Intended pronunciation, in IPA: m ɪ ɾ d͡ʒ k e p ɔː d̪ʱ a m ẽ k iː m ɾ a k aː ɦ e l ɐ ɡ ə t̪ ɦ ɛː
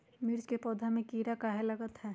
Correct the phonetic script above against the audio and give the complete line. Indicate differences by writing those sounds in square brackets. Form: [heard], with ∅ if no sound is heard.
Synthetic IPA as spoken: m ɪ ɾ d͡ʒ k e p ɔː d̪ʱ a m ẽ k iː [∅] ɾ a k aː ɦ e l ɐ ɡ ə t̪ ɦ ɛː